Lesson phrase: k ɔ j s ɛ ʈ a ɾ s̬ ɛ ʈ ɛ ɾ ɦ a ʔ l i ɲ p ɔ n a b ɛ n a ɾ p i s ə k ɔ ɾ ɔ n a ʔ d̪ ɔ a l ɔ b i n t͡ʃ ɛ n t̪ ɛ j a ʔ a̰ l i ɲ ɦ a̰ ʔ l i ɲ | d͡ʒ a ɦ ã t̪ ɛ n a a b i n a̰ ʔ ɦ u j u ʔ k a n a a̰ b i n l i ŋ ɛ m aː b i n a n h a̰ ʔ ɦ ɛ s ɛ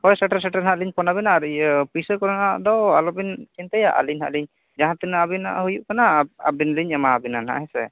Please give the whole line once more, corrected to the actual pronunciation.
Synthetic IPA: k ɔ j s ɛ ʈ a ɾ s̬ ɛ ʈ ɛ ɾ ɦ a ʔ l i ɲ p ɔ n a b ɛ n a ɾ p i s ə k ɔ ɾ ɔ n a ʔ d̪ ɔ a l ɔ b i n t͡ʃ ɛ n t̪ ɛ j a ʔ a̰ l i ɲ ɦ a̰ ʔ l i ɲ | d͡ʒ a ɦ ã t̪ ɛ n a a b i n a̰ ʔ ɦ u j u ʔ k a n a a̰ b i n l i ɲ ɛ m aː b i n a n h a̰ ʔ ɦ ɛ s ɛ